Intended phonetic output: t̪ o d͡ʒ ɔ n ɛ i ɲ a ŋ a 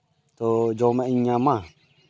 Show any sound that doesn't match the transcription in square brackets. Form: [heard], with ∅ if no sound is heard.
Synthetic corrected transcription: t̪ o d͡ʒ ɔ [m] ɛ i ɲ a [m] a